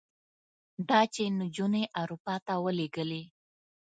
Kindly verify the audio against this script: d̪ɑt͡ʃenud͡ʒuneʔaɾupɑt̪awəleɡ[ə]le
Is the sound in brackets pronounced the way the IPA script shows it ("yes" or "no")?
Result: yes